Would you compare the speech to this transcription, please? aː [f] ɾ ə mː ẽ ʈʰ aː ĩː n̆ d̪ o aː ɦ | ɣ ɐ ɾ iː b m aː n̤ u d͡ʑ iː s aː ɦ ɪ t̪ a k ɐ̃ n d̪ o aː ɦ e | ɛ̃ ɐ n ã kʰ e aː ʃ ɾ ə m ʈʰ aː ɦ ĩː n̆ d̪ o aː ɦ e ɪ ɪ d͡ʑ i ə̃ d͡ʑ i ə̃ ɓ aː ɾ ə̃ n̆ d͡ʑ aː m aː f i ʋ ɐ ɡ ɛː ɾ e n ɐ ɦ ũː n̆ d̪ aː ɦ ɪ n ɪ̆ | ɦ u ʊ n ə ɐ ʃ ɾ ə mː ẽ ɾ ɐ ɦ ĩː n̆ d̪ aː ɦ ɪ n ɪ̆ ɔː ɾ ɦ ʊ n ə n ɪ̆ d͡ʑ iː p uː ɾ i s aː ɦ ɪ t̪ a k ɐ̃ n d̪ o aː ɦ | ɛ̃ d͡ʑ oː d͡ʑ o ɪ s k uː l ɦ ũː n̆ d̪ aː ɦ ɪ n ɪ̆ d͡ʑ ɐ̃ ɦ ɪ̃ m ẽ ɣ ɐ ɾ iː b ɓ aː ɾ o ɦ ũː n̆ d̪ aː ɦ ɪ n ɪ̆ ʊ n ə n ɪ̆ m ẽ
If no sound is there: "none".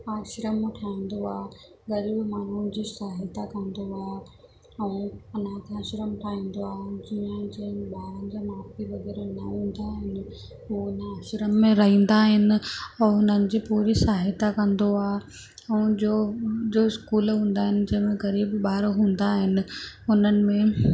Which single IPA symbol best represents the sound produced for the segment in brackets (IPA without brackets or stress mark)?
ʃ